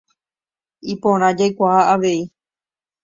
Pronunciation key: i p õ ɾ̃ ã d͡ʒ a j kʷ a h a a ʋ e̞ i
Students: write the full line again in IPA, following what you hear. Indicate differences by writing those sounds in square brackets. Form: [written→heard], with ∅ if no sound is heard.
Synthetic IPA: i p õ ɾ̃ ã d͡ʒ a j kʷ a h a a ʋ e̞ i

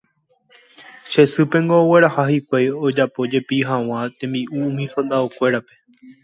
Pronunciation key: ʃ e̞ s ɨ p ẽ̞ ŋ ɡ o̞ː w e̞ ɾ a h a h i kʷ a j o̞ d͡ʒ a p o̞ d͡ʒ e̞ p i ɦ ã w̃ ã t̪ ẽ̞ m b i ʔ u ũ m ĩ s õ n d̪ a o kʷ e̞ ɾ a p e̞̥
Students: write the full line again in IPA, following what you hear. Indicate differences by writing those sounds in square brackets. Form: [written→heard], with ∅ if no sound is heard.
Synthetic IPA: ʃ e̞ s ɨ p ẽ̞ ŋ ɡ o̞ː w e̞ ɾ a h a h i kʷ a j o̞ d͡ʒ a p o̞ d͡ʒ e̞ p i ɦ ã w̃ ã t̪ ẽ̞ m b i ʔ u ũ m ĩ s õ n d̪ a o kʷ e̞ ɾ a p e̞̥

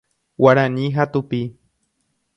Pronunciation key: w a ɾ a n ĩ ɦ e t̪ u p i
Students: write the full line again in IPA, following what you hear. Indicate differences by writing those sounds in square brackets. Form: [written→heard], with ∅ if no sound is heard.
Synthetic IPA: w a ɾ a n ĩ ɦ [e→a] t̪ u p i

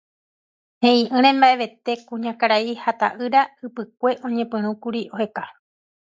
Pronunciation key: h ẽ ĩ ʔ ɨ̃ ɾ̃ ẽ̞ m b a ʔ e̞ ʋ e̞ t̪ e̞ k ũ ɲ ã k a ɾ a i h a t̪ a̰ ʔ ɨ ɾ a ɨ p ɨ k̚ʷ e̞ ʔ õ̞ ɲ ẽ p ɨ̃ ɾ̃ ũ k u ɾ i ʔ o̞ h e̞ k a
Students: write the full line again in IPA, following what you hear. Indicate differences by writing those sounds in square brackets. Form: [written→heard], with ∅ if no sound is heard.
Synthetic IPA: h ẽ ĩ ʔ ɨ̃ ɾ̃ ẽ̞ m b a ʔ e̞ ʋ e̞ t̪ e̞ k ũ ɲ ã k a ɾ a i h a t̪ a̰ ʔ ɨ ɾ a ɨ p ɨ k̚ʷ e̞ ʔ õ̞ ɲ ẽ p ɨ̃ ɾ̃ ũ k u ɾ i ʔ o̞ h e̞ k a

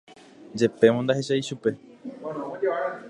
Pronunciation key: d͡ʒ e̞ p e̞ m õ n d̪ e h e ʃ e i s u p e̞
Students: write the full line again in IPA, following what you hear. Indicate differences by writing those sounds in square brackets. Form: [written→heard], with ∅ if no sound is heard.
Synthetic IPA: d͡ʒ e̞ p e̞ m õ n d̪ [e→a] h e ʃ [e→a] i [s→ʃ] u p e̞

